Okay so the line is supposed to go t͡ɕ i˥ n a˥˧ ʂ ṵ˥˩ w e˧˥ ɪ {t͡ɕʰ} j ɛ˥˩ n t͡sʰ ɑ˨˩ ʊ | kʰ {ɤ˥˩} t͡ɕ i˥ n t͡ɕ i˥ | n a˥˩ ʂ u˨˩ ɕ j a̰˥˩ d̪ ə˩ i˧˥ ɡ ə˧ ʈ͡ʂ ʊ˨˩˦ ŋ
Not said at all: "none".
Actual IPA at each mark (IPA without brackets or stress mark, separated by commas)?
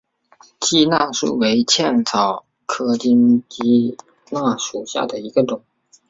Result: t͡ɕʰ, ɤ˥